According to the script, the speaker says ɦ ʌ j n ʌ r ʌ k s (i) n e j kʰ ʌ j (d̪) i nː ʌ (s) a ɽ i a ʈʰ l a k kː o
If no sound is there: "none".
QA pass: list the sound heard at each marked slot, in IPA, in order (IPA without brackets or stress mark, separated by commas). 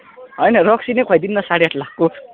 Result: i, d̪, s